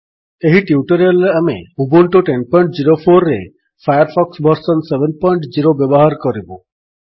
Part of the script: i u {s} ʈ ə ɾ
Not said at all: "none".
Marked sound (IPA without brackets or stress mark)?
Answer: none